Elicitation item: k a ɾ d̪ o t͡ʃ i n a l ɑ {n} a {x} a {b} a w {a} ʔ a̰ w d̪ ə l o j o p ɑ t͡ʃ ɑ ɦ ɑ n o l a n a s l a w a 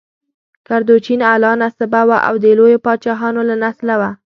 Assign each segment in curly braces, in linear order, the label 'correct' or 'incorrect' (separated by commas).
correct, incorrect, correct, correct